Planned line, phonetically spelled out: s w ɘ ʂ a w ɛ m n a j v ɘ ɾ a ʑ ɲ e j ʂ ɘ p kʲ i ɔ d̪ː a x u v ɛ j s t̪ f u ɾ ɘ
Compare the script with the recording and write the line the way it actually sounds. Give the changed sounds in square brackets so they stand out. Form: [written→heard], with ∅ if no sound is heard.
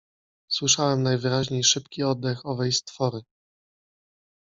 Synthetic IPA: s w ɘ ʂ a w ɛ m n a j v ɘ ɾ a ʑ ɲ e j ʂ ɘ p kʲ i ɔ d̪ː [a→ɛ] x [u→ɔ] v ɛ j s t̪ f [u→ɔ] ɾ ɘ